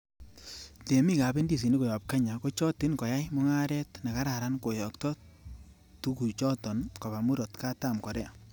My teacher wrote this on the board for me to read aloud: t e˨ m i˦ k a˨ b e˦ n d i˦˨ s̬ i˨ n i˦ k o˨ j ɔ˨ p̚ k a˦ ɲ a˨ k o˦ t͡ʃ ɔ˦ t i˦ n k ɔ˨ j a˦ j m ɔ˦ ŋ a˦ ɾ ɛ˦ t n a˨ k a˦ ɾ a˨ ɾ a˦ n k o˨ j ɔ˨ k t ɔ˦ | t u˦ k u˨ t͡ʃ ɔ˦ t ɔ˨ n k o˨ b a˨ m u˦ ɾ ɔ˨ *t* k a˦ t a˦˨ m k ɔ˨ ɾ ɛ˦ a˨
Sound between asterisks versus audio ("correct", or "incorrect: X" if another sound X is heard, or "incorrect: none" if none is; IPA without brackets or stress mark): correct